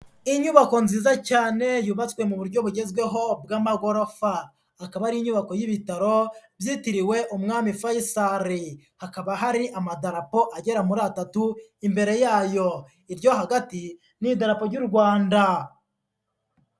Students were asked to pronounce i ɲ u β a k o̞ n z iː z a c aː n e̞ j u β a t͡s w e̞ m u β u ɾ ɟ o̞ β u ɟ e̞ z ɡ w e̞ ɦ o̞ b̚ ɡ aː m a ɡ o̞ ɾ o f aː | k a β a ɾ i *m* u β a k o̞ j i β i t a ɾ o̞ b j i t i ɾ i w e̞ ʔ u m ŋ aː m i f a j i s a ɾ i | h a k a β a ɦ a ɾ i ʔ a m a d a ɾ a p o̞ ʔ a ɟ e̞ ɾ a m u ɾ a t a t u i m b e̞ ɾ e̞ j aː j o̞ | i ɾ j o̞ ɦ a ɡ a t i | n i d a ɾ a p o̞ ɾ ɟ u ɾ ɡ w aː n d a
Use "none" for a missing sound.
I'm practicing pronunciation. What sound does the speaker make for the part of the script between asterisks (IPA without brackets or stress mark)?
ɲ